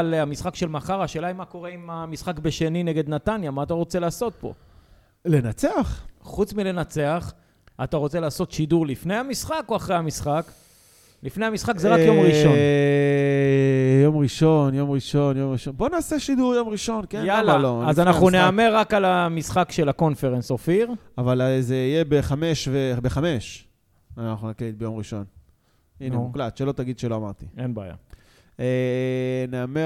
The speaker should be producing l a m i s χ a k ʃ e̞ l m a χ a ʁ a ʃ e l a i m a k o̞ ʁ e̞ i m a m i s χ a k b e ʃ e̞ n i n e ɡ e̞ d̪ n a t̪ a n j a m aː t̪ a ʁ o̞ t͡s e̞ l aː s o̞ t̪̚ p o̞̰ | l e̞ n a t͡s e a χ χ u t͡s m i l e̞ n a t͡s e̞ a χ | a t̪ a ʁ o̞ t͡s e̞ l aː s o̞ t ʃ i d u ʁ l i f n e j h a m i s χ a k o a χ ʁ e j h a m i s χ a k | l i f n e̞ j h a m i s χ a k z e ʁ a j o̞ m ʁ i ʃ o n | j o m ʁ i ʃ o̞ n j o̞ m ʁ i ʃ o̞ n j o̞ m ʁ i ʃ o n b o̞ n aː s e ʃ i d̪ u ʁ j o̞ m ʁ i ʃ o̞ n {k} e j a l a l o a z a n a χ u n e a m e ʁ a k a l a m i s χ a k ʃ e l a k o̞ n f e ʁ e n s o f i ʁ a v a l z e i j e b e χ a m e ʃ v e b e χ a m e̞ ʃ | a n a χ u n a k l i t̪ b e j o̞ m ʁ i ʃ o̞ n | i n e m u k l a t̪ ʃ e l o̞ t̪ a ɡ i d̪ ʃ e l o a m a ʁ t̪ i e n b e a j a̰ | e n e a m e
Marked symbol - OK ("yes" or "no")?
yes